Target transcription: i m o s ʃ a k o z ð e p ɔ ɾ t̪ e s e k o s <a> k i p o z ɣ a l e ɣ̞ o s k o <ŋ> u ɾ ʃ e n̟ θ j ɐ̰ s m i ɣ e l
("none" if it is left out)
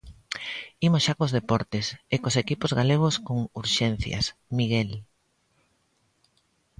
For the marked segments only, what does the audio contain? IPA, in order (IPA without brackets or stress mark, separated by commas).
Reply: e, ŋ